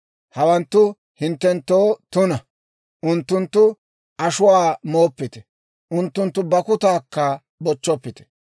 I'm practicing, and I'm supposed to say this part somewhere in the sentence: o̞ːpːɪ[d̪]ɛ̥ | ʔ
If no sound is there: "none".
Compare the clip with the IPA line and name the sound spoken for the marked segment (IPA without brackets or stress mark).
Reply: t̪